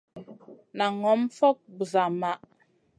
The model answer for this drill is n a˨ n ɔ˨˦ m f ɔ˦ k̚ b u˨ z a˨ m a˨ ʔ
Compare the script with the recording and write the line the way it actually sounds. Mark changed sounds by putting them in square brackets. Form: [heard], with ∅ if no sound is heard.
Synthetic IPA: n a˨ [ŋ] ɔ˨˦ m f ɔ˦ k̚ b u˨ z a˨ m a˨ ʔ